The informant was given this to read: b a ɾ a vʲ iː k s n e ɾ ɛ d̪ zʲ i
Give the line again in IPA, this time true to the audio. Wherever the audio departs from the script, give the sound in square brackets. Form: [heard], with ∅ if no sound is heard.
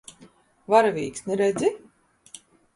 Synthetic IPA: [v] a ɾ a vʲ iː k s n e ɾ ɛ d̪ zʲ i